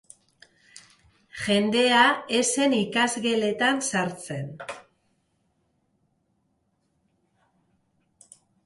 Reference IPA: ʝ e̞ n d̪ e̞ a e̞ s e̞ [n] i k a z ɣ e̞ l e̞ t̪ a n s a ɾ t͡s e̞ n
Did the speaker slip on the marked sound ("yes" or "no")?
no